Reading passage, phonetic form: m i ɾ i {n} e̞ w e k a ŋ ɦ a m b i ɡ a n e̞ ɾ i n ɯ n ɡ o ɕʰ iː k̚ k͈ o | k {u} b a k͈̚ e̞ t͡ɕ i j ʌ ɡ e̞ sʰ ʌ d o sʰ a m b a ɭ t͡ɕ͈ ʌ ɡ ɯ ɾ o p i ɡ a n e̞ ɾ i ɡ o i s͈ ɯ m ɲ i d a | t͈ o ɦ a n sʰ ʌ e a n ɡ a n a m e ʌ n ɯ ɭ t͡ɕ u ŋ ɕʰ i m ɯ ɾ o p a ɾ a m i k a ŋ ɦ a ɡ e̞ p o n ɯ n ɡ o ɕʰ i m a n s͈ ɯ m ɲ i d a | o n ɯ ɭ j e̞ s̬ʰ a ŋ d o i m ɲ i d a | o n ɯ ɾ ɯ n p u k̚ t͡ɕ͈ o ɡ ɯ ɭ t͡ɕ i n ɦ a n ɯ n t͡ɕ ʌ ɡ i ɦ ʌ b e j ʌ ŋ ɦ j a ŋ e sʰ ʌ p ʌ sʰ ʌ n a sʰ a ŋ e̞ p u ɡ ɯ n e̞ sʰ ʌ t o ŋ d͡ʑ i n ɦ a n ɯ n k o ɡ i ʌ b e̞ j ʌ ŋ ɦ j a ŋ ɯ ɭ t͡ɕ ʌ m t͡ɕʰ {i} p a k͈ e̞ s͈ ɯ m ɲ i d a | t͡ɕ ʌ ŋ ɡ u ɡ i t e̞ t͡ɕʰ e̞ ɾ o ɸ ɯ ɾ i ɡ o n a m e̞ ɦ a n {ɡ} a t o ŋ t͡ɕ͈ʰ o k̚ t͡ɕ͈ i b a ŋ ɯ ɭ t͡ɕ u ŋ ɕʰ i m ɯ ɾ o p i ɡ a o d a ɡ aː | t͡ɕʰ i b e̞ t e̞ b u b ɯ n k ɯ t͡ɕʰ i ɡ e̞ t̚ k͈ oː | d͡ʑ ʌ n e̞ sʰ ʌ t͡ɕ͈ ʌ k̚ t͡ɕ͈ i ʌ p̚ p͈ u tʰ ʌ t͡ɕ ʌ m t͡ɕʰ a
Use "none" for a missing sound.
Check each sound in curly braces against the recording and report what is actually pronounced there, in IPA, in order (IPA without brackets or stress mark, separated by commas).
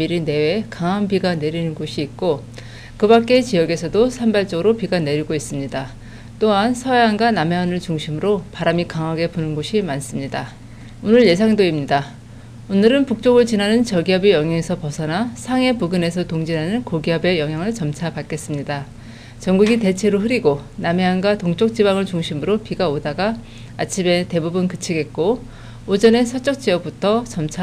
n, ɯ, a, ɡ